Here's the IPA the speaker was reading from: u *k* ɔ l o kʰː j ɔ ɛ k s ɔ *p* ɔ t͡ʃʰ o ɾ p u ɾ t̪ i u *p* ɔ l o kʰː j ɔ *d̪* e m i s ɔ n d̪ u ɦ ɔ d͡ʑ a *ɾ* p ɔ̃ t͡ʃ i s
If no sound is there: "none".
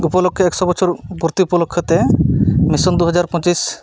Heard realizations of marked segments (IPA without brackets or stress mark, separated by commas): p, b, p, t̪, ɾ